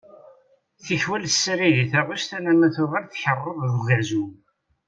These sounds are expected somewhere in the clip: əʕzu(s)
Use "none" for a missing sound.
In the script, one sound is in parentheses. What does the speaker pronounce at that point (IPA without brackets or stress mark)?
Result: none